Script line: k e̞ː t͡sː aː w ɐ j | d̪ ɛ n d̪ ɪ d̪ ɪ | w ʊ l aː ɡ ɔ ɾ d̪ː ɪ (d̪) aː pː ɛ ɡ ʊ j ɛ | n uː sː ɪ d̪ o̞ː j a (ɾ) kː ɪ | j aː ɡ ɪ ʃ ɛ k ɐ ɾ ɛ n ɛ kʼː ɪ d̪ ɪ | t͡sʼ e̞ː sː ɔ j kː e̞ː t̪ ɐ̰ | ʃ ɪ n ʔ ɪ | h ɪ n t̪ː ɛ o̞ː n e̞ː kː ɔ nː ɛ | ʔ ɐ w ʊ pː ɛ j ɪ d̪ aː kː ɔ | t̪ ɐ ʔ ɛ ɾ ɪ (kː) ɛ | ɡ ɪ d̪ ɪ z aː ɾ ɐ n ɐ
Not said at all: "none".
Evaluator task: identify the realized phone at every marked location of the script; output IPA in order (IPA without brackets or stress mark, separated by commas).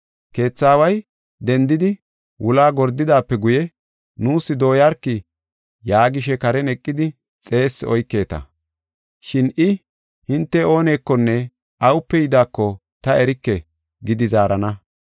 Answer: d̪, ɾ, kː